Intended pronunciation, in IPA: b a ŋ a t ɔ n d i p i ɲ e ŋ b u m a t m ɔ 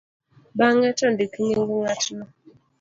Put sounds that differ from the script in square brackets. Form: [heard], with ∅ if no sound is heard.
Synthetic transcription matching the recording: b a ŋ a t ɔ n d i [k] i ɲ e ŋ [ɡ] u [ŋ] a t [n] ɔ